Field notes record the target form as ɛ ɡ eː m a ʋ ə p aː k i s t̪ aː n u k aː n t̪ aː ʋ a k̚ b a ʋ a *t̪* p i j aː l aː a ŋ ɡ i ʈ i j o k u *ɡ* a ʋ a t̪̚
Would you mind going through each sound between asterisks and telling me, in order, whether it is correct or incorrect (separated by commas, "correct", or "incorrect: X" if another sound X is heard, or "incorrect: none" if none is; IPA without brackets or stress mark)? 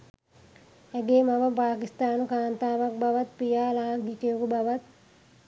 correct, incorrect: b